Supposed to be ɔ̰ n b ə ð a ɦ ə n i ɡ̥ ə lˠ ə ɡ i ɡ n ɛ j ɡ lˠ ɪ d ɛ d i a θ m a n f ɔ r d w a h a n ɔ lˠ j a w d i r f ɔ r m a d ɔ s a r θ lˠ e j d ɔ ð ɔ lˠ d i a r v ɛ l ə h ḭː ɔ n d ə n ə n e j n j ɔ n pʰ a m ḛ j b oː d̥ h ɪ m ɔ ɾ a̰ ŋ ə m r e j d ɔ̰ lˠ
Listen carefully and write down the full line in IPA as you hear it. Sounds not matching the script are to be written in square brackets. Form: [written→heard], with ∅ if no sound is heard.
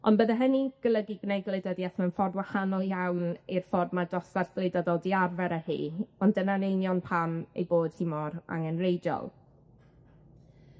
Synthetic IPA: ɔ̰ n b ə ð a ɦ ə n i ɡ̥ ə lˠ ə ɡ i ɡ n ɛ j ɡ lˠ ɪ d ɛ d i a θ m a n f ɔ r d w a h a n ɔ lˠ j a w [d→n] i r f ɔ r m a d ɔ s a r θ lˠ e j d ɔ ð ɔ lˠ d i a r v ɛ [l→ɾ] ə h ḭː ɔ n d ə n [ə→a] n e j n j ɔ n pʰ a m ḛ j b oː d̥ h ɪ m ɔ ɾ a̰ ŋ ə [m→n] r e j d ɔ̰ lˠ